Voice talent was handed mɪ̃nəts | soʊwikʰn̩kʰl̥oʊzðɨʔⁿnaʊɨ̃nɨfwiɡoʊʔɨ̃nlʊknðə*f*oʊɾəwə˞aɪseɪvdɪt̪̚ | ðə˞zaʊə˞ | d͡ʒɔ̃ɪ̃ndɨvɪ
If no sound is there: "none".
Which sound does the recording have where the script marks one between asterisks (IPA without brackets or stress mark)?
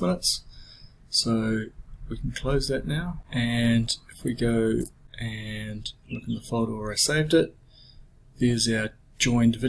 f